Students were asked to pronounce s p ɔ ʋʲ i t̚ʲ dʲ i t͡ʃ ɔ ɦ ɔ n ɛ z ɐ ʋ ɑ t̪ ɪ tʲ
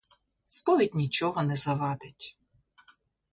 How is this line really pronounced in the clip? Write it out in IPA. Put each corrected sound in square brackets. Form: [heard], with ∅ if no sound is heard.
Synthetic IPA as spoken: s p ɔ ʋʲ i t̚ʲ [nʲ] i t͡ʃ ɔ ɦ ɔ n ɛ z ɐ ʋ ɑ [d̪] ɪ tʲ